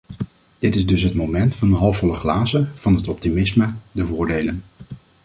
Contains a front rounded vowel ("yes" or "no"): no